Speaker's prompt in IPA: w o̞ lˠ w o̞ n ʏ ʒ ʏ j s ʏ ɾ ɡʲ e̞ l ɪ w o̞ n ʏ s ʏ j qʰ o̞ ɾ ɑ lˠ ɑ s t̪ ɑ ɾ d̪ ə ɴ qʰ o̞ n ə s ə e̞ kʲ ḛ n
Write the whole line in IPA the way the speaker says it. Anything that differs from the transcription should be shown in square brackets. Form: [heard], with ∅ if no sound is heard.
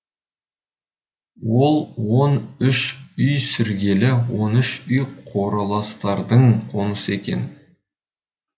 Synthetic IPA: w o̞ lˠ w o̞ n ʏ [ʃ] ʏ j s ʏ ɾ ɡʲ e̞ l ɪ w o̞ n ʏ [ʃ] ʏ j qʰ o̞ ɾ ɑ lˠ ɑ s t̪ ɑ ɾ d̪ ə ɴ qʰ o̞ n ə s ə e̞ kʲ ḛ n